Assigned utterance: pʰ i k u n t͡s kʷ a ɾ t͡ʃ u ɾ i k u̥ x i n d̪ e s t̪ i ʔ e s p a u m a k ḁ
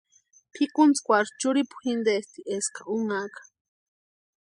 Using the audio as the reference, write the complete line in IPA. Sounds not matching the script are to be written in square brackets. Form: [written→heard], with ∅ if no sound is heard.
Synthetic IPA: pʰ i k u n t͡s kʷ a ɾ t͡ʃ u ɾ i [k→p] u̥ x i n d̪ e s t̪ i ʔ e s [p→k] a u [m→ŋ] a k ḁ

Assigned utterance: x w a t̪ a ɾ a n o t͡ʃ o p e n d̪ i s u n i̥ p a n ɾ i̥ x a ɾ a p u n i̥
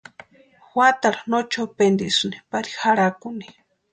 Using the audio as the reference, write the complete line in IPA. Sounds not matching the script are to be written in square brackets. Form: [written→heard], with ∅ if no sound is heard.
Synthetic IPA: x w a t̪ a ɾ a n o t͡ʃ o p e n d̪ i s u n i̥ p a [n→∅] ɾ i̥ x a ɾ a [p→k] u n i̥

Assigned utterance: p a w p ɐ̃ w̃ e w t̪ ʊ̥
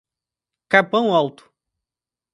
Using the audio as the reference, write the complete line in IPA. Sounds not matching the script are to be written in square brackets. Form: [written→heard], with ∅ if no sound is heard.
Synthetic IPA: [p→k] a [w→∅] p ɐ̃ w̃ [e→a] w t̪ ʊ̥

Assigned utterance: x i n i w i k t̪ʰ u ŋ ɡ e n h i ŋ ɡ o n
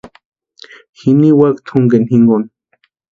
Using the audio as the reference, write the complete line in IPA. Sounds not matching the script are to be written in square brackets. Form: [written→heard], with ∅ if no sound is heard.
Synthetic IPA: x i n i w [i→a] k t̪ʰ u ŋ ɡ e n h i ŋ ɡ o n

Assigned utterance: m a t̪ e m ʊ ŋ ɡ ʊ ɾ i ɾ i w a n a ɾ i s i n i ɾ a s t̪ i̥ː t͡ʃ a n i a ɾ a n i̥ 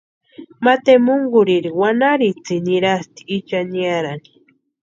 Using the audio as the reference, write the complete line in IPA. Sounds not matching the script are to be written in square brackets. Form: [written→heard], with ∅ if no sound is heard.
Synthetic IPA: m a t̪ e m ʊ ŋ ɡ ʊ ɾ i ɾ i w a n a ɾ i [s→t͡s] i n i ɾ a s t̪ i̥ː t͡ʃ a n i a ɾ a n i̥

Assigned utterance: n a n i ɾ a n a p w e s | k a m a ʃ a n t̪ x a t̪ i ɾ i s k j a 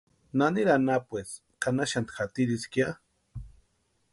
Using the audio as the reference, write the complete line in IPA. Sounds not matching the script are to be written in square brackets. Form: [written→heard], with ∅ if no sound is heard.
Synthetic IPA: n a n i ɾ a n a p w e s | k a [m→n] a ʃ a n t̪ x a t̪ i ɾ i s k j a

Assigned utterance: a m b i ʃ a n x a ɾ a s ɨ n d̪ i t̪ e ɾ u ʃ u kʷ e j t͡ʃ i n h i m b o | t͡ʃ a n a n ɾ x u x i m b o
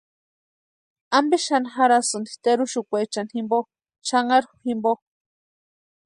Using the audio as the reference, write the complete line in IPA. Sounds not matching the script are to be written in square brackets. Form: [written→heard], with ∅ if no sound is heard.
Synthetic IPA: a m b i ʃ a n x a ɾ a s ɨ n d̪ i t̪ e ɾ u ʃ u kʷ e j t͡ʃ [i→a] n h i m b o | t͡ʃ a [n→ŋ] a [n→∅] ɾ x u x i m b o

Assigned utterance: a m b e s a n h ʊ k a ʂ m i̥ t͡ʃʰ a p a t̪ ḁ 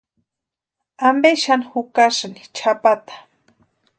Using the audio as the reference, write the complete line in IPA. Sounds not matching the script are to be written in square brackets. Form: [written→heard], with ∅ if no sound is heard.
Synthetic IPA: a m b e [s→ʃ] a n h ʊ k a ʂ [m→n] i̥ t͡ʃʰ a p a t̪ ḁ

